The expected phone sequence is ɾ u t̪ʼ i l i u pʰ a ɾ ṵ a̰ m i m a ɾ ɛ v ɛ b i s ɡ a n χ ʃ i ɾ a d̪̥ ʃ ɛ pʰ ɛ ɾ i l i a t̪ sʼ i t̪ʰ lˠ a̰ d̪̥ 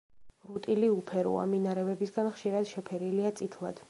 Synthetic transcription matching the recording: ɾ u t̪ʼ i l i u pʰ ɛ ɾ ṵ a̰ m i n a ɾ ɛ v ɛ b i s ɡ a n χ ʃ i ɾ a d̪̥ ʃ ɛ pʰ ɛ ɾ i l i a t̪ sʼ i t̪ʰ lˠ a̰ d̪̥